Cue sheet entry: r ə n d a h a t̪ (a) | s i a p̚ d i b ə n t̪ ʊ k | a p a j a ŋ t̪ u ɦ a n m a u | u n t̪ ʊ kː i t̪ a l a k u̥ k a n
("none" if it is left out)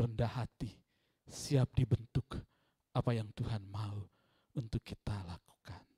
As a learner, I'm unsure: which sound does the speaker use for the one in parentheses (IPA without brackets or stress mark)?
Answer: i